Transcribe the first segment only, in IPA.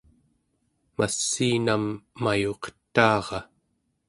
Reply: m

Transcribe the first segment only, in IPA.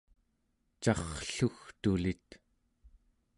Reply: t͡ʃ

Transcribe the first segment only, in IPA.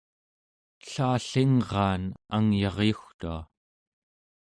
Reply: ɬ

